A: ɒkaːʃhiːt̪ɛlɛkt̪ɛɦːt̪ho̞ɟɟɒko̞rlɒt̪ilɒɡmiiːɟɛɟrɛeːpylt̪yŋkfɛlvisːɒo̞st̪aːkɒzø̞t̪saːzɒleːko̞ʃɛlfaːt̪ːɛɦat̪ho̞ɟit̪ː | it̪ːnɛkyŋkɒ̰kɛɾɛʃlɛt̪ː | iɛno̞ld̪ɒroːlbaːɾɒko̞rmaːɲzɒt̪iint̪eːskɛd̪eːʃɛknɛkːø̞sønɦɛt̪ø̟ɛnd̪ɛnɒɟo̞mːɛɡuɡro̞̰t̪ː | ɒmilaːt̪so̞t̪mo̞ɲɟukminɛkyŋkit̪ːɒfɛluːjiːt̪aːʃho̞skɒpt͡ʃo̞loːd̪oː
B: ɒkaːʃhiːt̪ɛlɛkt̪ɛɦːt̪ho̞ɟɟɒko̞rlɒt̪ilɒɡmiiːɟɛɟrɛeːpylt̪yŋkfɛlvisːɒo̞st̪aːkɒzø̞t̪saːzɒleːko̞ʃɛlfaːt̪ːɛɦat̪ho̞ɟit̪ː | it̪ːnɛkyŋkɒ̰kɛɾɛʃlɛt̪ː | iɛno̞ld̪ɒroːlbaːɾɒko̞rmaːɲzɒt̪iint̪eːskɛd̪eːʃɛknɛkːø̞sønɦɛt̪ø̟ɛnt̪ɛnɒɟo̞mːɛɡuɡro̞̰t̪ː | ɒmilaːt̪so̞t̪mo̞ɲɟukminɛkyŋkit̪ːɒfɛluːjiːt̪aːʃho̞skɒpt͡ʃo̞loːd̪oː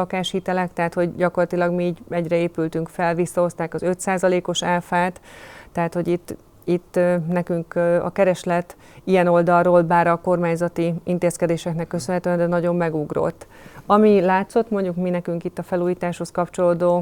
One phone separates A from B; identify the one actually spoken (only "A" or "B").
A